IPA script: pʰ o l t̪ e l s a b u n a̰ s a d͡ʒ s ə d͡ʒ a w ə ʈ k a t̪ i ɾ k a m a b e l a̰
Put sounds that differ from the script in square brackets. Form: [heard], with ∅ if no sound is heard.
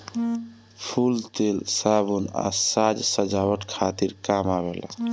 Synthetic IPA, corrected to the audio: pʰ [u] l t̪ e l s a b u n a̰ s a d͡ʒ s ə d͡ʒ a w ə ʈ [kʰ] a t̪ i ɾ k a m a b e l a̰